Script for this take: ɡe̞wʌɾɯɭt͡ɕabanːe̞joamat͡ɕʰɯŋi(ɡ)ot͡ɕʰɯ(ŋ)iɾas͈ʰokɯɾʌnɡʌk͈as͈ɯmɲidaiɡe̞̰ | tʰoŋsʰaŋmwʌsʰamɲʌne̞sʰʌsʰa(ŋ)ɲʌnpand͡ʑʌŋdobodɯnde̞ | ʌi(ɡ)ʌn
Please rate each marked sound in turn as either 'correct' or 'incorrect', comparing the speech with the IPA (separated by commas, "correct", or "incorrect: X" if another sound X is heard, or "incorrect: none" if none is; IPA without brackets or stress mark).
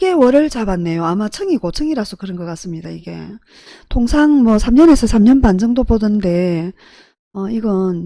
correct, correct, incorrect: m, correct